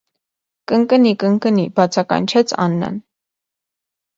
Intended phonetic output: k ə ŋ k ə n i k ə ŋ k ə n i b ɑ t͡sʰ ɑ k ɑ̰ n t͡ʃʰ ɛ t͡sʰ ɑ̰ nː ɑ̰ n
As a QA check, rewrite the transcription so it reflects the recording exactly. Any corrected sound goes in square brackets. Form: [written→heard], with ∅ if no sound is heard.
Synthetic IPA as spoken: k ə ŋ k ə n i k ə ŋ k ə n i b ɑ t͡sʰ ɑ k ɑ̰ n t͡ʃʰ ɛ t͡sʰ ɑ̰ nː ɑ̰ n